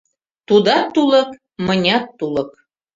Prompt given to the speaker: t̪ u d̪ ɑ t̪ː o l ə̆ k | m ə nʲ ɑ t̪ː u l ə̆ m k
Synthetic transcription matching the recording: t̪ u d̪ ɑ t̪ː u l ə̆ k | m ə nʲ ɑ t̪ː u l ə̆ k

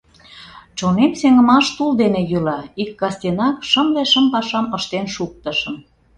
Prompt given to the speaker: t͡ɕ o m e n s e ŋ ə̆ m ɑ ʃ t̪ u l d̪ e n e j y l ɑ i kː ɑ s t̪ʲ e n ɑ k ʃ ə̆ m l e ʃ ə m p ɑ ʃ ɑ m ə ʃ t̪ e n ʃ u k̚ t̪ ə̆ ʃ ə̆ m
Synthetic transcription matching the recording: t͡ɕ o n e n s e ŋ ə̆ m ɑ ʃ t̪ u l d̪ e n e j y l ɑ i kː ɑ s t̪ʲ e n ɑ k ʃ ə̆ m l e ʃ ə m p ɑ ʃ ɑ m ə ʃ t̪ e n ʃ u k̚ t̪ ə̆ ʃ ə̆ m

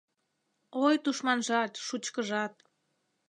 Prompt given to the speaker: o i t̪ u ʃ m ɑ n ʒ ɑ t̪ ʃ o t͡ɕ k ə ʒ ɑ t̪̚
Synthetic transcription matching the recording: o j t̪ u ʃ m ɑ n ʒ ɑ t̪ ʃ u t͡ɕ k ə ʒ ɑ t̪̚

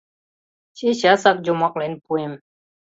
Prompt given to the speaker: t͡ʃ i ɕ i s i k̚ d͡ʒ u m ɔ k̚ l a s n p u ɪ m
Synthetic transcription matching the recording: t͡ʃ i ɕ a s a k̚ d͡ʒ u m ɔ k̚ l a n p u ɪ m

